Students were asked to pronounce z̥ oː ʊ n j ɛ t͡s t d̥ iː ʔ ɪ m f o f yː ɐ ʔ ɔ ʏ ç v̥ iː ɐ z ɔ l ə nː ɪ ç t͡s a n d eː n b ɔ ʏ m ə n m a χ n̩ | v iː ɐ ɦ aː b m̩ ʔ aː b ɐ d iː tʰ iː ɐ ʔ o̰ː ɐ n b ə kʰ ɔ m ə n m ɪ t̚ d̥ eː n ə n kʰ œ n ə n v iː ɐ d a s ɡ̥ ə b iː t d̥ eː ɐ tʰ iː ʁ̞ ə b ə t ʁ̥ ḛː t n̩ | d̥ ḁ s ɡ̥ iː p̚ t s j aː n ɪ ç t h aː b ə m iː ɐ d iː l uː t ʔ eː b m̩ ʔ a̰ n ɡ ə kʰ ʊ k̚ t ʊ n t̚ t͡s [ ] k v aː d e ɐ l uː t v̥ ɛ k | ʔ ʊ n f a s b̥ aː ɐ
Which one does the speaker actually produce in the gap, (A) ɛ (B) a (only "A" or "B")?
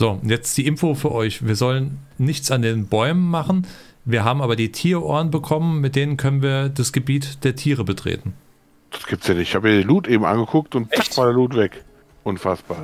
B